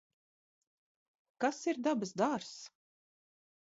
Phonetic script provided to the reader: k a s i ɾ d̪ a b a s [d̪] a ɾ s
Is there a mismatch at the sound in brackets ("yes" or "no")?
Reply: no